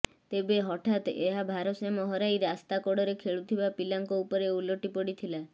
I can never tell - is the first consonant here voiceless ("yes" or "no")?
yes